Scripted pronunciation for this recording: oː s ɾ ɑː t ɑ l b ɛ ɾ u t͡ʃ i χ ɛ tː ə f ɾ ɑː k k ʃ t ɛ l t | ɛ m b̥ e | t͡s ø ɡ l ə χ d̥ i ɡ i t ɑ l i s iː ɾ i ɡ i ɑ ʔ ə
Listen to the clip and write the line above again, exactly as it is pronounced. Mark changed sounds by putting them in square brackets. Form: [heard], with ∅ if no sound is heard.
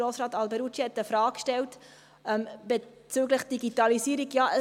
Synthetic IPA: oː s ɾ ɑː t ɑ l b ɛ ɾ u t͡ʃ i [h] ɛ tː ə f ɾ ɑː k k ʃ t ɛ l t | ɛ m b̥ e | t͡s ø ɡ l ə χ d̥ i ɡ i t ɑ l i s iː ɾ i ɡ [j] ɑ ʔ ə